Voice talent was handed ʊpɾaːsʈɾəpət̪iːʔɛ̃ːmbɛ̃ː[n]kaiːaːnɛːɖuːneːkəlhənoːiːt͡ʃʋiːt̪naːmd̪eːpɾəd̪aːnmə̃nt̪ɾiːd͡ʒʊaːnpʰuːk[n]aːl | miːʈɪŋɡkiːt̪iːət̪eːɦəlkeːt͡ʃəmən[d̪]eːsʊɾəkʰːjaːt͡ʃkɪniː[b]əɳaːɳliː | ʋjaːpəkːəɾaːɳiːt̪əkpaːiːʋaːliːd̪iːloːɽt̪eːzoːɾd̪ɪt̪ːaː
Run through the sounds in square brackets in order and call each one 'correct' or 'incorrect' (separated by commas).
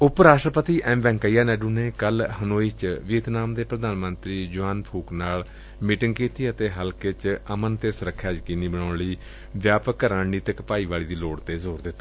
incorrect, correct, incorrect, correct